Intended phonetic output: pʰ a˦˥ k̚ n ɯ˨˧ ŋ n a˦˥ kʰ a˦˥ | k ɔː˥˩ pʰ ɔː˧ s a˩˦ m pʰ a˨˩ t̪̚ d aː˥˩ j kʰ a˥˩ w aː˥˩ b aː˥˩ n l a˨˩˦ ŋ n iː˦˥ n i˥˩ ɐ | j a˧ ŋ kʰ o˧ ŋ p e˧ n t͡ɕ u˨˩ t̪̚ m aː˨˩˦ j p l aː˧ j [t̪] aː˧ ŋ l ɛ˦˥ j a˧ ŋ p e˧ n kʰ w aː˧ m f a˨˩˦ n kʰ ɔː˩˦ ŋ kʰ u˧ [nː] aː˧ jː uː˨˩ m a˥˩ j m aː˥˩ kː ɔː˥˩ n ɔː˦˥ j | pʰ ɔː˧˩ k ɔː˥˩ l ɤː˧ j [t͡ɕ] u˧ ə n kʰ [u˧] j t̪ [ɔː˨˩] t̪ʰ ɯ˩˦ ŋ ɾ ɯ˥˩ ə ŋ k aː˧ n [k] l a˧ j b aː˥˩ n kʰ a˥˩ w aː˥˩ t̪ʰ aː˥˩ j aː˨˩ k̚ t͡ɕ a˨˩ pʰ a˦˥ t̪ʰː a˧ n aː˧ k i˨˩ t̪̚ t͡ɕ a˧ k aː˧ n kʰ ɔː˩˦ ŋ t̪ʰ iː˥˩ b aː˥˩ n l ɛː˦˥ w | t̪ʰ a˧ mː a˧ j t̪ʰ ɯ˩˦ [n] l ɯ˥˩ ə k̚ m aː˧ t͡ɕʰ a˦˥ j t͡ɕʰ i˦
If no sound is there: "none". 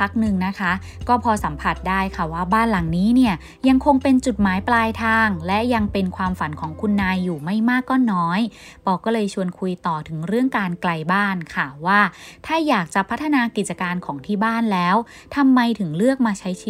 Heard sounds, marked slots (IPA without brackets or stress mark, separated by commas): t̪ʰ, nː, t͡ɕʰ, u˧, ɔː˨˩, k, ŋ